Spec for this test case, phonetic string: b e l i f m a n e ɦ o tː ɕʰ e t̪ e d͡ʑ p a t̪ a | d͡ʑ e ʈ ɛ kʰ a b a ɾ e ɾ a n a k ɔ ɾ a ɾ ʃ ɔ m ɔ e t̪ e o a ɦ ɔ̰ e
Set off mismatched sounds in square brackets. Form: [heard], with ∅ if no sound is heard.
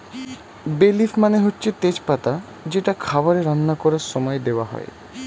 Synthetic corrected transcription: b e l i f m a n e ɦ o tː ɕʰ e t̪ e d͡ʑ p a t̪ a | d͡ʑ e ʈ [a] kʰ a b a ɾ e ɾ a [nː] a k ɔ ɾ a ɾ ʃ ɔ m ɔ e [d̪] e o a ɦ ɔ̰ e